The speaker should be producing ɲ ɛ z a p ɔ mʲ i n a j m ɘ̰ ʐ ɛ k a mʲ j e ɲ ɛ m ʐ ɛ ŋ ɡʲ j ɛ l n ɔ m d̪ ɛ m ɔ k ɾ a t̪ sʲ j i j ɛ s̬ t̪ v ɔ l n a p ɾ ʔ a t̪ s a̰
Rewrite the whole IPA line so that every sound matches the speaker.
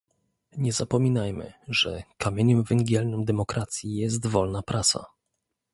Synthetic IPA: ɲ ɛ z a p ɔ mʲ i n a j m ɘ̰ ʐ ɛ k a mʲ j e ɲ ɛ m v ɛ ŋ ɡʲ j ɛ l n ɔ m d̪ ɛ m ɔ k ɾ a t̪ sʲ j i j ɛ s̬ t̪ v ɔ l n a p ɾ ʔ a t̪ s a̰

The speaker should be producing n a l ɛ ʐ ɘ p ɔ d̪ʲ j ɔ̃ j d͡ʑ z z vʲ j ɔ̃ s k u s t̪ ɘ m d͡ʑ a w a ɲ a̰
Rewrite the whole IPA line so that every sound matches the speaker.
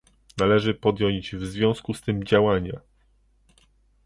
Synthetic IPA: n a l ɛ ʐ ɘ p ɔ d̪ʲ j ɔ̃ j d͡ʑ v z vʲ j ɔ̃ s k u s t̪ ɘ m d͡ʑ a w a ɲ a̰

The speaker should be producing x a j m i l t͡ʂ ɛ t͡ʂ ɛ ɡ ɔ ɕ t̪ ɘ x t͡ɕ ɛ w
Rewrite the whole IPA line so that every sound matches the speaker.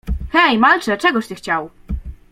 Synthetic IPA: x ɛ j m a l t͡ʂ ɛ t͡ʂ ɛ ɡ ɔ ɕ t̪ ɘ x t͡ɕ a w

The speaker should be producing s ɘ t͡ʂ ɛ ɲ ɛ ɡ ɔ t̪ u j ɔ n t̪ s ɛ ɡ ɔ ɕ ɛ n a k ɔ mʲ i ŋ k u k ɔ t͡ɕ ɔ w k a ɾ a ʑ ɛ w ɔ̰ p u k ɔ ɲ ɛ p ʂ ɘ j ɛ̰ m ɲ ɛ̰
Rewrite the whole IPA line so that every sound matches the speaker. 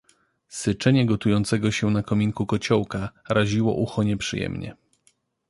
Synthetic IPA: s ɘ t͡ʂ ɛ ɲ ɛ ɡ ɔ t̪ u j ɔ n t̪ s ɛ ɡ ɔ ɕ ɛ n a k ɔ mʲ i ŋ k u k ɔ t͡ɕ ɔ w k a ɾ a ʑ i w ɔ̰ ʔ u x ɔ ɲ ɛ p ʂ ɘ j ɛ̰ m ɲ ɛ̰

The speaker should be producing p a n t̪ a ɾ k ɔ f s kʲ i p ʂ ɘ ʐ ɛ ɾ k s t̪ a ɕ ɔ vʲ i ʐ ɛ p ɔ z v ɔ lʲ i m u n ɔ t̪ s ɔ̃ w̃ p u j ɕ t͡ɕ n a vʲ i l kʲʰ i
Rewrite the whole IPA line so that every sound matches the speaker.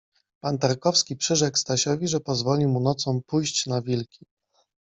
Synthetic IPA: p a n t̪ a ɾ k ɔ f s kʲ i p ʂ ɘ ʐ ɛ k s t̪ a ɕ ɔ vʲ i ʐ ɛ p ɔ z v ɔ lʲ i m u n ɔ t̪ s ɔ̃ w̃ p u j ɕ t͡ɕ n a vʲ i l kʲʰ i

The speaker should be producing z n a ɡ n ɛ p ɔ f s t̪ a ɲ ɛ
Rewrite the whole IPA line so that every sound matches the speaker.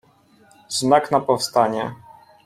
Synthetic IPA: z n a k n a p ɔ f s t̪ a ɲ ɛ

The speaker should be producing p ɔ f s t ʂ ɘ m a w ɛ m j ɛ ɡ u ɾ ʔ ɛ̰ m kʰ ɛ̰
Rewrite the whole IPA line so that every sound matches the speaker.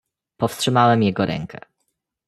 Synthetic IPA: p ɔ f s t ʂ ɘ m a w ɛ m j ɛ ɡ ɔ ɾ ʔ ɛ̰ ŋ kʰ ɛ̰

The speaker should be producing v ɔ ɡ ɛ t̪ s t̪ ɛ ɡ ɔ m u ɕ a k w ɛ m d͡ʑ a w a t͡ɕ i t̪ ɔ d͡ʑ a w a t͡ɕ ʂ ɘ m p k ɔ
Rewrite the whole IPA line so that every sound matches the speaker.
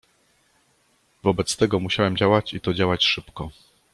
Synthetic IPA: v ɔ b ɛ t̪ s t̪ ɛ ɡ ɔ m u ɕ a w ɛ m d͡ʑ a w a t͡ɕ i t̪ ɔ d͡ʑ a w a t͡ɕ ʂ ɘ p k ɔ

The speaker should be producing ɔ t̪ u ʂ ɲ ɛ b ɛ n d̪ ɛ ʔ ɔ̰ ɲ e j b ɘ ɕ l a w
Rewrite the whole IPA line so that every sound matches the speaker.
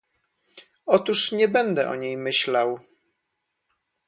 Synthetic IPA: ɔ t̪ u ʂ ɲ ɛ b ɛ n d̪ ɛ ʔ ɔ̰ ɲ e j m ɘ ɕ l a w

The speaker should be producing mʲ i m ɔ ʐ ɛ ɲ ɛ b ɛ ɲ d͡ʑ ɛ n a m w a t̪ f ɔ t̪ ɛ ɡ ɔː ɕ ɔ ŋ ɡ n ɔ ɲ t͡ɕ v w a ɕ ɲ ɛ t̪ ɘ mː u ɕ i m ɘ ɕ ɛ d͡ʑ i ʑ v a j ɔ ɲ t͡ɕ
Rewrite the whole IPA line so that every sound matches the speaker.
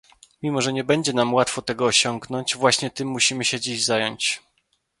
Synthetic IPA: mʲ i m ɔ ʐ ɛ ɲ ɛ b ɛ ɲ d͡ʑ ɛ n a m w a t̪ f ɔ t̪ ɛ ɡ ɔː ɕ ɔ ŋ ɡ n ɔ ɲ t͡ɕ v w a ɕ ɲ ɛ t̪ ɘ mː u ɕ i m ɘ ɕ ɛ d͡ʑ i ʑ z a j ɔ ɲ t͡ɕ

